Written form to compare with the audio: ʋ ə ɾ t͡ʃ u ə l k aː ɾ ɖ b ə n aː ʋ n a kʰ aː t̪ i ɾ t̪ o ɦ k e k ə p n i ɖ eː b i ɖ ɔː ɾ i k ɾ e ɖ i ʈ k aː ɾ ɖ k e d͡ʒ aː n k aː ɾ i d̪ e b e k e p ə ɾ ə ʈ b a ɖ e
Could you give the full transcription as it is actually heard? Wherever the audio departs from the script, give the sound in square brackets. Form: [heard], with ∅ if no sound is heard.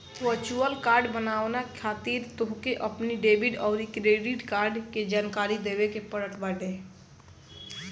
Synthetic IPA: ʋ ə ɾ t͡ʃ u ə l k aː ɾ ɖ b ə n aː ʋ n a kʰ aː t̪ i ɾ t̪ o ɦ k e [ʔ] ə p n i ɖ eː b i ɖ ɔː ɾ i k ɾ e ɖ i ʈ k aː ɾ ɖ k e d͡ʒ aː n k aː ɾ i d̪ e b e k e p ə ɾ ə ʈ b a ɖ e